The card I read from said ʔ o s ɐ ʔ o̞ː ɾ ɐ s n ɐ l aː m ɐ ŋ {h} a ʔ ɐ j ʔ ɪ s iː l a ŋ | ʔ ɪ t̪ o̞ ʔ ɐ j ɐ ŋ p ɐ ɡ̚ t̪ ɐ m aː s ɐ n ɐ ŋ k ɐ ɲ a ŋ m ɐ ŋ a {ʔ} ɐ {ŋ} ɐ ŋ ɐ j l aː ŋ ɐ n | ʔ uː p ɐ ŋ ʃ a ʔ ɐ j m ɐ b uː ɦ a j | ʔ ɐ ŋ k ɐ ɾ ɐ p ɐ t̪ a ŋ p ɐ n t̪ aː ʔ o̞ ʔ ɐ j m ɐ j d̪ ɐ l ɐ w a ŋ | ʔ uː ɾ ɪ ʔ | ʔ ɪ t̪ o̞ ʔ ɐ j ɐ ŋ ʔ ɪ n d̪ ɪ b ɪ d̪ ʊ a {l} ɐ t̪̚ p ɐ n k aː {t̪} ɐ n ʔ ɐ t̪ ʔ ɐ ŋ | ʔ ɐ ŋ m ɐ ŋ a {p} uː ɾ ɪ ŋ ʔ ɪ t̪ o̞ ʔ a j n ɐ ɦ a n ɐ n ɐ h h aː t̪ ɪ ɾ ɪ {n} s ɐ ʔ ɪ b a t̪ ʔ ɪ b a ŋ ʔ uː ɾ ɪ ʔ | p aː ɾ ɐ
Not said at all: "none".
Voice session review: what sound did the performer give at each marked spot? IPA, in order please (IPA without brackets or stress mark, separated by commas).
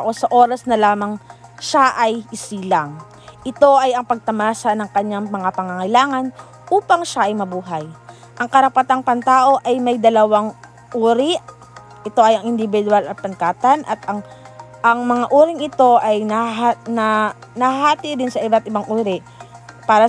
ʃ, p, ŋ, l, t̪, ʔ, n